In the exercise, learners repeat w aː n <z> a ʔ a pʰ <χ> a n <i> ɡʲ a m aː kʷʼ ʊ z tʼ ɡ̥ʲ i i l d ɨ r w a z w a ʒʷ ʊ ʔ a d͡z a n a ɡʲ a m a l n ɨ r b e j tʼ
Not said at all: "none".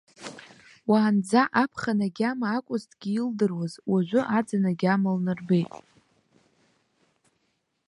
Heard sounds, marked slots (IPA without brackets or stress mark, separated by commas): d͡z, χ, a